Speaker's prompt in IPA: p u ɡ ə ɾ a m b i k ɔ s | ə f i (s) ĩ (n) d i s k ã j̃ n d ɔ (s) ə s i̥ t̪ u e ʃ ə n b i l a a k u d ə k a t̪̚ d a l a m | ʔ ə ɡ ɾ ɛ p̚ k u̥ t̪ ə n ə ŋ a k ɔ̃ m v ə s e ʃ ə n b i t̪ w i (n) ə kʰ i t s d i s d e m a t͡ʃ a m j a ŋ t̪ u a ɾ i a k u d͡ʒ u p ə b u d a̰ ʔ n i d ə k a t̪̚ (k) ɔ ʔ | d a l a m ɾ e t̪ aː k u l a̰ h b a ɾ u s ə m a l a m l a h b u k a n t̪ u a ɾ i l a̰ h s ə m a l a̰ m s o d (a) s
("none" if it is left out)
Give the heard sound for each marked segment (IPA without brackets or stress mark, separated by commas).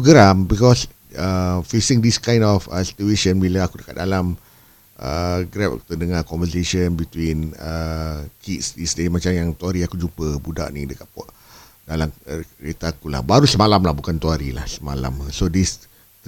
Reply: s, ŋ, f, n, p, i